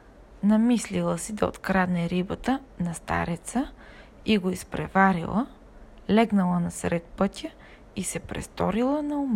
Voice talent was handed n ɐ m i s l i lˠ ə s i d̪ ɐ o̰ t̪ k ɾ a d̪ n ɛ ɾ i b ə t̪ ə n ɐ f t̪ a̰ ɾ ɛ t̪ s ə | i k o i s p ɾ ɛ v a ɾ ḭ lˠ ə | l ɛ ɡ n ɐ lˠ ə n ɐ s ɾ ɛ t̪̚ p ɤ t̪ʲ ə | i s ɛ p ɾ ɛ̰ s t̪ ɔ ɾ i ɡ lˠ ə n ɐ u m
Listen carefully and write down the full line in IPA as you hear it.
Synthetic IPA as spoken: n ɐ m i s l i lˠ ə s i d̪ ɐ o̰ t̪ k ɾ a d̪ n ɛ ɾ i b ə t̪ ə n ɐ s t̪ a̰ ɾ ɛ t̪ s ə | i ɡ o i s p ɾ ɛ v a ɾ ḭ lˠ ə | l ɛ ɡ n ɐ lˠ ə n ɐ s ɾ ɛ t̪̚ p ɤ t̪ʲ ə | i s ɛ p ɾ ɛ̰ s t̪ ɔ ɾ i lˠ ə n ɐ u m